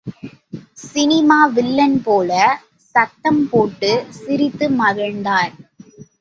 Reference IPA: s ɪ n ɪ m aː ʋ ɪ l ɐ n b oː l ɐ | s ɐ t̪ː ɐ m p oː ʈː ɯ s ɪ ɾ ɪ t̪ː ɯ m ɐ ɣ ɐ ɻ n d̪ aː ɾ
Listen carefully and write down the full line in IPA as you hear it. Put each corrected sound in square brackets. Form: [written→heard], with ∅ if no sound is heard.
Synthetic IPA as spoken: s ɪ n ɪ m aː ʋ ɪ [l→lː] ɐ n [b→p] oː l ɐ | s ɐ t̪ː ɐ m p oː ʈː ɯ s ɪ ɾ ɪ t̪ː ɯ m ɐ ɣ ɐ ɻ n d̪ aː ɾ

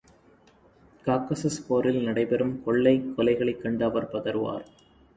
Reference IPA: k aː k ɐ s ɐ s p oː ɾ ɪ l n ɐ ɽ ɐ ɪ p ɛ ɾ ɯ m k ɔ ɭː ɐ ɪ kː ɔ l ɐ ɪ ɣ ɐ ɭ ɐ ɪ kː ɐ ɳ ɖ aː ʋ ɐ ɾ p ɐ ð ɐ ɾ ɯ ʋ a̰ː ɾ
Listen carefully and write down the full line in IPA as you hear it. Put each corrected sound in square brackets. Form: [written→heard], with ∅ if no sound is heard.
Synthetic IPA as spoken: k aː k ɐ s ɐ s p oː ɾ ɪ l n ɐ ɽ ɐ ɪ p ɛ ɾ ɯ m k ɔ ɭː ɐ ɪ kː ɔ l ɐ ɪ ɣ ɐ ɭ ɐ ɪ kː ɐ ɳ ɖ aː ʋ ɐ ɾ p ɐ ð ɐ ɾ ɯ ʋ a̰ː ɾ

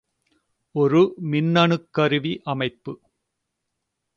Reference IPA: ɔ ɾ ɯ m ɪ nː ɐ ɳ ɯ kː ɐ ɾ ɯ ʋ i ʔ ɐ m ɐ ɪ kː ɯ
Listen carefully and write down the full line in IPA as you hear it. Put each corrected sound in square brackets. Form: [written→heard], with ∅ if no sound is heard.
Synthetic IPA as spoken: ɔ ɾ ɯ m ɪ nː ɐ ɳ ɯ kː ɐ ɾ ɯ ʋ i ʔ ɐ m ɐ ɪ [kː→pː] ɯ

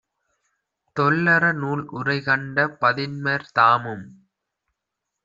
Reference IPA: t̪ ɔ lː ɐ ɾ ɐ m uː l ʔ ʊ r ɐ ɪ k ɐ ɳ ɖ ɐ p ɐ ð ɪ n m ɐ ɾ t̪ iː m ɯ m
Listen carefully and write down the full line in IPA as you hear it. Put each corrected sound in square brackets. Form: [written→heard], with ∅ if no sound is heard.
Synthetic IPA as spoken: t̪ ɔ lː ɐ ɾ ɐ [m→n] uː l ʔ ʊ r ɐ ɪ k ɐ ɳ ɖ ɐ p ɐ ð ɪ n m ɐ ɾ t̪ [iː→aː] m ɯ m

